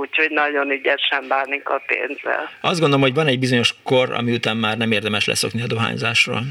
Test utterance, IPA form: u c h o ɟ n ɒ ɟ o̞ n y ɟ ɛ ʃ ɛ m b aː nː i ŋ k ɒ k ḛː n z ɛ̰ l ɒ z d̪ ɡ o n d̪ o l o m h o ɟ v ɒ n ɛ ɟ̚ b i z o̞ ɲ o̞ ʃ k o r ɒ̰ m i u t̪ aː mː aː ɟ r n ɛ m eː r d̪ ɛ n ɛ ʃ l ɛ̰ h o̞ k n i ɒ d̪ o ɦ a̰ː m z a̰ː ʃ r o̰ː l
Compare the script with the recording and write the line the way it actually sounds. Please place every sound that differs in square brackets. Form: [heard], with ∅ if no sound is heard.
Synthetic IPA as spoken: u c h o ɟ n ɒ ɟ o̞ n y ɟ ɛ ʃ ɛ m b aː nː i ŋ k ɒ [p] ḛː n z ɛ̰ l ɒ z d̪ ɡ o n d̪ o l o m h o ɟ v ɒ n ɛ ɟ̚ b i z o̞ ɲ o̞ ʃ k o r ɒ̰ m i u t̪ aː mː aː [∅] r n ɛ m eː r d̪ ɛ [m] ɛ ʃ l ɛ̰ [s] o̞ k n i ɒ d̪ o ɦ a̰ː [ɲ] z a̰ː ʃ r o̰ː l